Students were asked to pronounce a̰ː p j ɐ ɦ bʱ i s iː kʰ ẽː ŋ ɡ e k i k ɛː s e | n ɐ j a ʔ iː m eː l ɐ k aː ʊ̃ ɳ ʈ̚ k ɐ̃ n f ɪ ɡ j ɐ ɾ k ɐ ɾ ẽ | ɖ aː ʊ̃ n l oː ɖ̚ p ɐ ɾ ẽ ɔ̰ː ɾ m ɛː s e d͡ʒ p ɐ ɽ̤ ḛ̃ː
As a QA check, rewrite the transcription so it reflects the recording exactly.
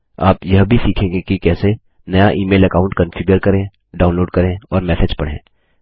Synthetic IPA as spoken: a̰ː p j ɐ ɦ bʱ i s iː kʰ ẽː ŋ ɡ e k i k ɛː s e | n ɐ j a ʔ iː m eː l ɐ k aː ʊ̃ ɳ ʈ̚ k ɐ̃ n f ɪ ɡ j ə ɾ k ɐ ɾ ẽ | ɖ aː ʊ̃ n l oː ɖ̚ k ɐ ɾ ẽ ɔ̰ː ɾ m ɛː s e d͡ʒ p ɐ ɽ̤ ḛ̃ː